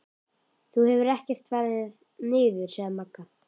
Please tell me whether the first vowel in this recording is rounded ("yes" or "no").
yes